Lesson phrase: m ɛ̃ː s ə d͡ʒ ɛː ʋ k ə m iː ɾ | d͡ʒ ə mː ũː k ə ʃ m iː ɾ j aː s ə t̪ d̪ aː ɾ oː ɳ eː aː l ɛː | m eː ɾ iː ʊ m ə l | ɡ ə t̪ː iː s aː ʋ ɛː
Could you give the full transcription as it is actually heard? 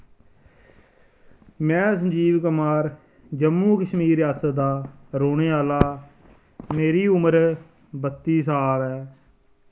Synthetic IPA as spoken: m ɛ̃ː s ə d͡ʒ iː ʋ k ə m aː ɾ | d͡ʒ ə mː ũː k ə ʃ m iː ɾ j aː s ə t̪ d̪ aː ɾ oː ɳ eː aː l aː | m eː ɾ iː ʊ m ə ɾ | b ə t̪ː iː s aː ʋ ɛː